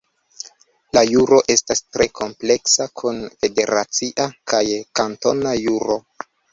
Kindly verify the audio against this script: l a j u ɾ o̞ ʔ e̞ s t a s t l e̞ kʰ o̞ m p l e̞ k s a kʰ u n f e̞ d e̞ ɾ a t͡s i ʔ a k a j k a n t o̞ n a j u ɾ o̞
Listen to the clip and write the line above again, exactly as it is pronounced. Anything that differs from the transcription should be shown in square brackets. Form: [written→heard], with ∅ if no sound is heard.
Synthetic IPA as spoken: l a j u ɾ o̞ ʔ e̞ s t a s t [l→ɾ] e̞ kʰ o̞ m p l e̞ k s a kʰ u n f e̞ d e̞ ɾ a t͡s i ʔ a k a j k a n t o̞ n a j u ɾ o̞